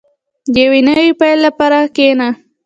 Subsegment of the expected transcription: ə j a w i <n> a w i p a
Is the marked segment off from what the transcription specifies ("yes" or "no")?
no